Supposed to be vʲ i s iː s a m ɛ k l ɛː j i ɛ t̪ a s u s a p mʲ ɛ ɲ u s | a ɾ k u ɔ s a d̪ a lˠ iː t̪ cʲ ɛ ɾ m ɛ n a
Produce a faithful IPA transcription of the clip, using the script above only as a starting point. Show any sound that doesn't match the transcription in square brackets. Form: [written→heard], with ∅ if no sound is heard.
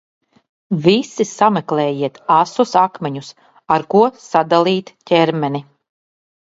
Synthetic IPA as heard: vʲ i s [iː→i] s a m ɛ k l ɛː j i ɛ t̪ a s u s a [p→k] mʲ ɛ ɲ u s | a ɾ k u ɔ s a d̪ a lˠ iː t̪ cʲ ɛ ɾ m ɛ n [a→i]

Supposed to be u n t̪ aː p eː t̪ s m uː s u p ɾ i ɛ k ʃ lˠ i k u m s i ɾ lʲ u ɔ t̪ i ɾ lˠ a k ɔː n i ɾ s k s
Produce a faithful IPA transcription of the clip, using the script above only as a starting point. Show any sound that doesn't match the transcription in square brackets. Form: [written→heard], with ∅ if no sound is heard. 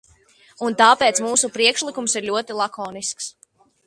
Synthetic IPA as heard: u n t̪ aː p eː t̪ s m uː s u p ɾ i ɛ k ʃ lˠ i k u m s i ɾ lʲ u ɔ t̪ i [ɾ→∅] lˠ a k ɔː n i [ɾ→∅] s k s

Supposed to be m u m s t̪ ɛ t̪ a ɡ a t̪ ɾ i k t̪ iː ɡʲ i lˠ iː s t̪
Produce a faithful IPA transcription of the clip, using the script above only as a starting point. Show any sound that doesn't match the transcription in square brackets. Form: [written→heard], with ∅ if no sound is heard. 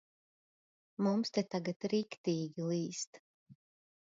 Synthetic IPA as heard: m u m s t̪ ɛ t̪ a ɡ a t̪ ɾ i k t̪ iː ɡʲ i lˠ iː s t̪

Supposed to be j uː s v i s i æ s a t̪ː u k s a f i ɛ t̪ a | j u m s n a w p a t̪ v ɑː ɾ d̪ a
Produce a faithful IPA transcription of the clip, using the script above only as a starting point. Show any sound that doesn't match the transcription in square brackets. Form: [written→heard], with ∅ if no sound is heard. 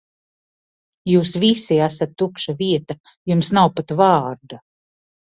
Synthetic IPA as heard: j uː s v i s i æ s a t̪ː u k [s→ʃ] a [f→v] i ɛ t̪ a | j u m s n a w p a t̪ v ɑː ɾ d̪ a

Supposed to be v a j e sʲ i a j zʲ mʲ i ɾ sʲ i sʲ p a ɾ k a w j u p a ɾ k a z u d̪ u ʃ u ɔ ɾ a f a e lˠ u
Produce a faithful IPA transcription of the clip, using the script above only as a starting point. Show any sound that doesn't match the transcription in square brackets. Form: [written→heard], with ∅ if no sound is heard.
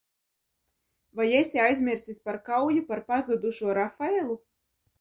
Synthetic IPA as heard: v a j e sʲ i a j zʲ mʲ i ɾ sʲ i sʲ p a ɾ k a w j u p a ɾ [k→p] a z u d̪ u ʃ u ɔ ɾ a f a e lˠ u

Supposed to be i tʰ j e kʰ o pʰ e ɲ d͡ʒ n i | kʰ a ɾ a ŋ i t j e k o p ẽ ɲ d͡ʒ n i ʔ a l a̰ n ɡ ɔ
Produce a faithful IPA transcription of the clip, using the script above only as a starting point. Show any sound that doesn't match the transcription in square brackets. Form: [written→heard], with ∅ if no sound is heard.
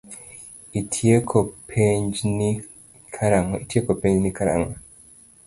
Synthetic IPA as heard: i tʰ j e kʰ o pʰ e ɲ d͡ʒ n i | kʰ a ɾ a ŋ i t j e k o p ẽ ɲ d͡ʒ n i [ʔ→k] a [l→ɾ] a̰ [n→ŋ] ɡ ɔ

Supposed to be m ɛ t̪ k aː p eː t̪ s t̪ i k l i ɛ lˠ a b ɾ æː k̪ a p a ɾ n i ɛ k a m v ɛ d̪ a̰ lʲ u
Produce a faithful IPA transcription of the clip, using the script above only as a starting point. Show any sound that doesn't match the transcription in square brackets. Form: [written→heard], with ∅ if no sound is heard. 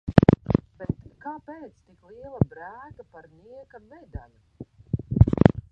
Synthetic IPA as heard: [m→b] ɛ t̪ k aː p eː t̪ s t̪ i k l i ɛ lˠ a b ɾ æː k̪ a p a ɾ n i ɛ k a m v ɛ d̪ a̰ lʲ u

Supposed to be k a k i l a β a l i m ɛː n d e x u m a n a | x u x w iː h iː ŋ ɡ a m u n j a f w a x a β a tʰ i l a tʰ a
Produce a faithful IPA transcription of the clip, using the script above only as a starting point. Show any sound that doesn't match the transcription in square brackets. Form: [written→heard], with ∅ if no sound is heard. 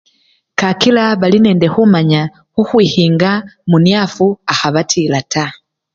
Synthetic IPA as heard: k a k i l a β a l i [m→n] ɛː n d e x u m a [n→ɲ] a | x u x w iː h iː ŋ ɡ a m u n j a f [w→u] a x a β a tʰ i l a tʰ a

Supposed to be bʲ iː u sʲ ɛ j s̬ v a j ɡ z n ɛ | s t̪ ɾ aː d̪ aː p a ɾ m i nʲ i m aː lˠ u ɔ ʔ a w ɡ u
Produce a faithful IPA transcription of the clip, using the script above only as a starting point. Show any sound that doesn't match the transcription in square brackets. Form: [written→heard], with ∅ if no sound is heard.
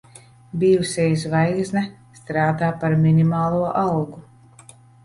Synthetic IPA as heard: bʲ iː u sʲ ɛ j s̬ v a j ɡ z n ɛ | s t̪ ɾ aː d̪ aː p a ɾ m i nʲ i m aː lˠ u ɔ ʔ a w ɡ u

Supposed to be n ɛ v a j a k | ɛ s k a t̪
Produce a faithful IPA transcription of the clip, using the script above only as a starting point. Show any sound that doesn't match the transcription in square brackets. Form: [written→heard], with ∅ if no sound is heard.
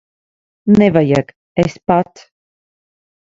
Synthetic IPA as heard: n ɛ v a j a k | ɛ s [k→p] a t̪

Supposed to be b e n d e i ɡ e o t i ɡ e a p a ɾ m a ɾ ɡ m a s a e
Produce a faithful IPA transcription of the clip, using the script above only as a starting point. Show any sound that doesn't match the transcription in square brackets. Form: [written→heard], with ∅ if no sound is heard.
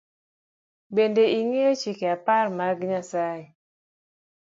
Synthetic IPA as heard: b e n d e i [ɡ→ŋ] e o [t→t͡ʃ] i [ɡ→k] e a p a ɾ m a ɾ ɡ [m→ɲ] a s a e

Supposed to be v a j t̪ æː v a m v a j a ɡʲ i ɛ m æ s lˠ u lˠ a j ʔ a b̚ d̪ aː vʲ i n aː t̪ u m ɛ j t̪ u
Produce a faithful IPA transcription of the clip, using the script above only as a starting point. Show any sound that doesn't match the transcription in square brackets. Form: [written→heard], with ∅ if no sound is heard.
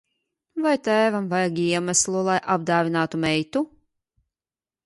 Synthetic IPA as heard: v a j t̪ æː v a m v a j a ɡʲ i ɛ m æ s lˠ u lˠ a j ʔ a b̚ d̪ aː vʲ i n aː t̪ u m ɛ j t̪ u

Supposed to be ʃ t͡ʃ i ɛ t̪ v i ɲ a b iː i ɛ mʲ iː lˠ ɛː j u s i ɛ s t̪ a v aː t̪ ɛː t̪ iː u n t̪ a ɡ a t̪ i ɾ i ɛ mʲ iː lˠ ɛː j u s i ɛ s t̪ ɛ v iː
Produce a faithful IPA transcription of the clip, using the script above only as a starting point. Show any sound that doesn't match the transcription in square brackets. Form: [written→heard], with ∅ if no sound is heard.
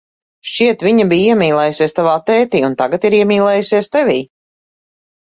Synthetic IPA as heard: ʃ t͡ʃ i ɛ t̪ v i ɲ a b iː i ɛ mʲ iː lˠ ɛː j u s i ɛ s t̪ a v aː t̪ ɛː t̪ iː u n t̪ a ɡ a t̪ i ɾ i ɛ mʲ iː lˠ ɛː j u s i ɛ s t̪ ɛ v iː

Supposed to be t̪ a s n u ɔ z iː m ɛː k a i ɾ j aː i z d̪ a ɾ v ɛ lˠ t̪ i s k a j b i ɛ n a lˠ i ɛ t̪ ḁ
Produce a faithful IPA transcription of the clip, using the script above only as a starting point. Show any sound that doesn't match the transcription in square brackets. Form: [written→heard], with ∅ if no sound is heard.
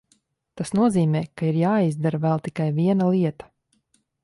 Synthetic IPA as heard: t̪ a s n u ɔ z iː m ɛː k a i ɾ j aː i z d̪ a ɾ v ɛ lˠ t̪ i [s→∅] k a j [b→v] i ɛ n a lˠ i ɛ t̪ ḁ

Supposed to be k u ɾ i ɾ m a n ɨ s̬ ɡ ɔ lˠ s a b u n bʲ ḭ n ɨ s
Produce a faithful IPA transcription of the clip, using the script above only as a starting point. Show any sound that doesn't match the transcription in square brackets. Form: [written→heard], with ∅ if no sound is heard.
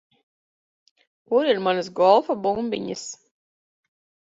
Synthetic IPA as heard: k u ɾ i ɾ m a n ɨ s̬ ɡ ɔ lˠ [s→f] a b u [n→m] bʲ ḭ [n→ɲ] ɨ s

